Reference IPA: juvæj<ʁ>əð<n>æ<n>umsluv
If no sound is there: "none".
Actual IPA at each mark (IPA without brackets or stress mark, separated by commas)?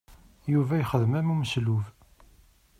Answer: χ, m, m